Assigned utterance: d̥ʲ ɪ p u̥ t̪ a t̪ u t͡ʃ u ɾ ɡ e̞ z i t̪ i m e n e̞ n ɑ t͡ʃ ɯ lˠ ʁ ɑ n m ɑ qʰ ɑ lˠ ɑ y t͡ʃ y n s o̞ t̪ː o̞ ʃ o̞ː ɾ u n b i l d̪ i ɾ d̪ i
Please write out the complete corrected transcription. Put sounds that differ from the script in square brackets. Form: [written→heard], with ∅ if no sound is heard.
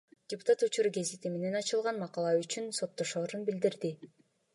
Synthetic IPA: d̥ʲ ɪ p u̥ t̪ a t̪ u t͡ʃ u ɾ ɡ e̞ z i t̪ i m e n e̞ n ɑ t͡ʃ ɯ lˠ ʁ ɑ n m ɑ [qʰ→q] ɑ lˠ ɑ y t͡ʃ y n s o̞ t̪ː o̞ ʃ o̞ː ɾ u n b i l d̪ i ɾ d̪ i